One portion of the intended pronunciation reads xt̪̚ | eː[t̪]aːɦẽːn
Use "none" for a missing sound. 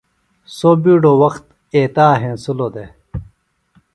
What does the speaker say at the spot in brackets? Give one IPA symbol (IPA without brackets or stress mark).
t̪